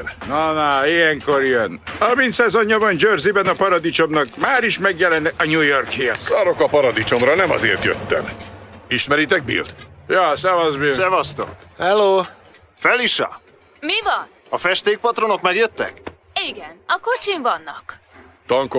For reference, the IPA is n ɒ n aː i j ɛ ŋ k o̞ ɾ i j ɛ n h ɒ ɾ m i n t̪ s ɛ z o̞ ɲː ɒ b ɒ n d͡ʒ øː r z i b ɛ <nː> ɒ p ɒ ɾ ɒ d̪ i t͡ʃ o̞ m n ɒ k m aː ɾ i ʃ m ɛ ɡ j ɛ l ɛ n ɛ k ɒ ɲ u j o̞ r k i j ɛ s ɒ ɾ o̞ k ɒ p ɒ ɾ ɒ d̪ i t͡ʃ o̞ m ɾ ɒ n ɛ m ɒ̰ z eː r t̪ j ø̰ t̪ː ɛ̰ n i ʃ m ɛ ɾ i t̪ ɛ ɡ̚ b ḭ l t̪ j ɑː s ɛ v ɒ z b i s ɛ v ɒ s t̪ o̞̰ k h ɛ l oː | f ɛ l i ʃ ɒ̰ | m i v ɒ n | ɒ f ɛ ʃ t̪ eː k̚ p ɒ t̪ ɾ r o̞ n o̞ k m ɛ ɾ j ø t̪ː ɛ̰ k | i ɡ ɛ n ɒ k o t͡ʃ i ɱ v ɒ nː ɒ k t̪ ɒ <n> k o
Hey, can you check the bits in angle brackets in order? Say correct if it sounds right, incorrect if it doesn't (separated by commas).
incorrect, incorrect